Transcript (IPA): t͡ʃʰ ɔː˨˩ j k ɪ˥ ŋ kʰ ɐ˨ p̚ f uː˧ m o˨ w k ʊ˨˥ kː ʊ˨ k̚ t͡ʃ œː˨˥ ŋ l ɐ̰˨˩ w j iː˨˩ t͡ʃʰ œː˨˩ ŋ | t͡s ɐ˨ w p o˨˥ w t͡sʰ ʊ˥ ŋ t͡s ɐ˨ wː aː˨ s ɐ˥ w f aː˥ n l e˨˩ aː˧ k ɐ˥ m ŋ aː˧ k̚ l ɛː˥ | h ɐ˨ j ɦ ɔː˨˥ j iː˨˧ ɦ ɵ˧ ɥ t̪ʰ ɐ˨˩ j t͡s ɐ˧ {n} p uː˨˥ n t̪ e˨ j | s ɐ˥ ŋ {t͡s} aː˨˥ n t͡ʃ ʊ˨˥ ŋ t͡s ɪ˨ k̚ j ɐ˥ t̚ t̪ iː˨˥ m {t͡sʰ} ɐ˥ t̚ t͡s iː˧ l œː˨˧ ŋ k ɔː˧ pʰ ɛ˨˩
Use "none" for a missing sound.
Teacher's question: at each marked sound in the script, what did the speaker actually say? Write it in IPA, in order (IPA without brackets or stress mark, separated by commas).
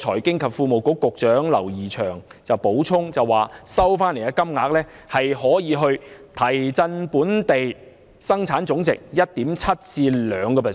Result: n, t͡sʰ, t͡sʰ